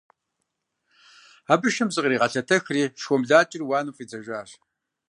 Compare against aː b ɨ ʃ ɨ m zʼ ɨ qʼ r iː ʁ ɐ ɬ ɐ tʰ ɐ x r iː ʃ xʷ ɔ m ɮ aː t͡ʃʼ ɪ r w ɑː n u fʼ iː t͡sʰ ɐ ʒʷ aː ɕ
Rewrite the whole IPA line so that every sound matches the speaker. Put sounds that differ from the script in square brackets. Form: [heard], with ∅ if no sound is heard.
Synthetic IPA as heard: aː b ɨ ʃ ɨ m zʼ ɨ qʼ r iː ʁ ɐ ɬ ɐ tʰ ɐ x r iː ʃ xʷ ɔ m ɮ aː t͡ʃʼ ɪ r w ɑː n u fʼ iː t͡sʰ ɐ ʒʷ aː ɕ